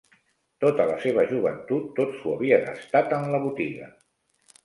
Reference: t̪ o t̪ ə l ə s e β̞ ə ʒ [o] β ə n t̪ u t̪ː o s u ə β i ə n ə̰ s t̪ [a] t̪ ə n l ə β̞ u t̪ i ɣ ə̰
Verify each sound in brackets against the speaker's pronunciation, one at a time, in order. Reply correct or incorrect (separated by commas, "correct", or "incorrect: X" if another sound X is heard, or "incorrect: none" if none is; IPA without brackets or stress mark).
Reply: incorrect: u, correct